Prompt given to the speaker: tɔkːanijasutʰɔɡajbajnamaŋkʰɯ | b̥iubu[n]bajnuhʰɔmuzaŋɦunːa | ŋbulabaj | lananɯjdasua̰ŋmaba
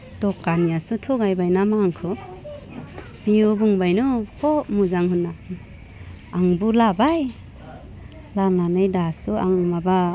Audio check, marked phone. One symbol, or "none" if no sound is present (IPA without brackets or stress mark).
ŋ